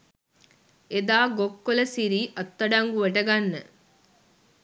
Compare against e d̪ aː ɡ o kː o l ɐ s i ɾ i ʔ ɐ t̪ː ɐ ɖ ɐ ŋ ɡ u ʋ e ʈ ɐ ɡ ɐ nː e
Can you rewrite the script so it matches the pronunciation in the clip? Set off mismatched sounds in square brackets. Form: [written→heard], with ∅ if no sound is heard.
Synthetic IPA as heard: e d̪ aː ɡ o kː o l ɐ s i ɾ [i→iː] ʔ ɐ t̪ː ɐ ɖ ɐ ŋ ɡ u ʋ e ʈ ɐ ɡ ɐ nː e

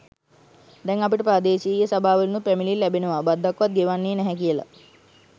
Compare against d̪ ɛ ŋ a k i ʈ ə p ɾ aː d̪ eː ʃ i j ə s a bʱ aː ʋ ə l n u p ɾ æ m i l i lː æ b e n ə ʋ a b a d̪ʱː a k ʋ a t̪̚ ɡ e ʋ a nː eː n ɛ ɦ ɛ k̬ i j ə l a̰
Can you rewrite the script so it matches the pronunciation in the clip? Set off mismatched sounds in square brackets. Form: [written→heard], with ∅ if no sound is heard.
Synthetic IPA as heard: d̪ ɛ ŋ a [k→p] i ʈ ə p ɾ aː d̪ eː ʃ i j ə s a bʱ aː ʋ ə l n u p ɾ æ m i l i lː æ b e n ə ʋ a b a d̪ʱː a k ʋ a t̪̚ ɡ e ʋ a nː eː n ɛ ɦ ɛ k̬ i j ə l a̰

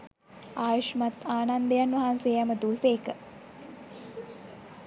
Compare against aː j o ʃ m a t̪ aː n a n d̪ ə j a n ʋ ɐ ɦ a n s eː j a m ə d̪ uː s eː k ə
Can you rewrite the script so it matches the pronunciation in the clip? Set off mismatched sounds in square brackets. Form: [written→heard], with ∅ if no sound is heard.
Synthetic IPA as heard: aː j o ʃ m a t̪ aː n a n d̪ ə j a n ʋ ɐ ɦ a n s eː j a m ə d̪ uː s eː k ə

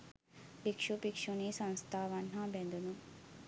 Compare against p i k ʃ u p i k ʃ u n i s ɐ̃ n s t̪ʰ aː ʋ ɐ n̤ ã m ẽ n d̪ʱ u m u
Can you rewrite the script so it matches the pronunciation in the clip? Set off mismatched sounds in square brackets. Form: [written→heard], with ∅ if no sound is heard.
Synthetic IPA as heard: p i k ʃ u p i k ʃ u n i s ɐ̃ n s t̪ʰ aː ʋ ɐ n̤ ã [m→b] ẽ n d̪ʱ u [m→n] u

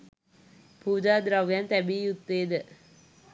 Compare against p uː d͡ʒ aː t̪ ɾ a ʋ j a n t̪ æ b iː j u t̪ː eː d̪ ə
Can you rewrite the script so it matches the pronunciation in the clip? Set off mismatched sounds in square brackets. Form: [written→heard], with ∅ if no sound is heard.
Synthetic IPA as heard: p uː d͡ʒ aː [t̪→d̪] ɾ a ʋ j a n t̪ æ b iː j u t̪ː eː d̪ ə

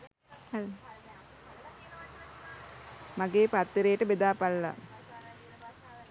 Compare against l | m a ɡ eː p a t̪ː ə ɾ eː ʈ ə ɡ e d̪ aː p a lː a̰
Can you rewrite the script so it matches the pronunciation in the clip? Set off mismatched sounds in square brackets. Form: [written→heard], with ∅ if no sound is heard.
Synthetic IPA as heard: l | m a ɡ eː p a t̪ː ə ɾ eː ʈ ə [ɡ→b] e d̪ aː p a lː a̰

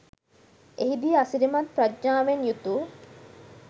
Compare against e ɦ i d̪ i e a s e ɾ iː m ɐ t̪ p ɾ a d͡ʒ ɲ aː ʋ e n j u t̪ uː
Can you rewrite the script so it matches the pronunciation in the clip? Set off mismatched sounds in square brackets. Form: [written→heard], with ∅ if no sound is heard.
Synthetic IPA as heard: e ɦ i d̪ i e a s [e→i] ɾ [iː→i] m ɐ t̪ p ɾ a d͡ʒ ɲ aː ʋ e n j u t̪ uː

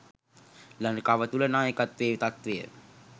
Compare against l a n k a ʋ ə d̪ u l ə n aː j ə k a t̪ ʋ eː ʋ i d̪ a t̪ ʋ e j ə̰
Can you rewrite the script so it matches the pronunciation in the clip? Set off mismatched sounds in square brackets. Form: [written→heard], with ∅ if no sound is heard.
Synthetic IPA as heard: l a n k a ʋ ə [d̪→t̪] u l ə n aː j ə k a t̪ ʋ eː ʋ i [d̪→t̪] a t̪ ʋ e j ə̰

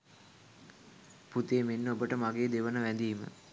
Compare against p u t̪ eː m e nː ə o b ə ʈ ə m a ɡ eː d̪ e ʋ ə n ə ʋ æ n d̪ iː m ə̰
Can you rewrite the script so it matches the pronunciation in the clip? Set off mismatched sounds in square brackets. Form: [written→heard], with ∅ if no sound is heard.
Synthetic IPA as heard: p u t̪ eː m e nː ə o b ə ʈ ə m a ɡ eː d̪ e ʋ ə n ə ʋ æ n d̪ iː m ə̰

